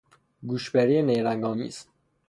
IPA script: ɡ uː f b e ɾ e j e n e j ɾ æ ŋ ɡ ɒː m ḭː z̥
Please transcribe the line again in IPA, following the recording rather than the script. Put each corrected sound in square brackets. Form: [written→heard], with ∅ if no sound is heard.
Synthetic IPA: ɡ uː [f→ʃ] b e ɾ [e→i] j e n e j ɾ æ ŋ ɡ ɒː m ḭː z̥